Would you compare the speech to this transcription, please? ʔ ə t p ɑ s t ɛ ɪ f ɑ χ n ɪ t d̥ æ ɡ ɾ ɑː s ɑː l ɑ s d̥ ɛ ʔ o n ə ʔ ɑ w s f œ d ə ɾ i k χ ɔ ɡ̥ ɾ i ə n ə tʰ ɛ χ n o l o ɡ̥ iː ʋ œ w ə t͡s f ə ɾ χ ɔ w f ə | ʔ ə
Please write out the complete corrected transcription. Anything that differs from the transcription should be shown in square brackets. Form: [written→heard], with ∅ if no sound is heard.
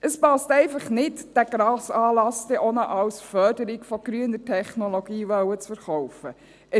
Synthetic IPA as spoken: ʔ ə [t→s] p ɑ s t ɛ ɪ f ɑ χ n ɪ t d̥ æ ɡ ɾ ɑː s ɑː l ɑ s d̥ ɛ ʔ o n ə ʔ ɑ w s f œ d ə ɾ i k [χ→f] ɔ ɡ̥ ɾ [i→y] ə n ə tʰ ɛ χ n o l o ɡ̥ iː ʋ œ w ə t͡s f ə ɾ χ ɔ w f ə | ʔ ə